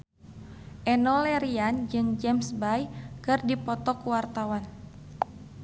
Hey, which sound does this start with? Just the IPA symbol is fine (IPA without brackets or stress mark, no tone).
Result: ʔ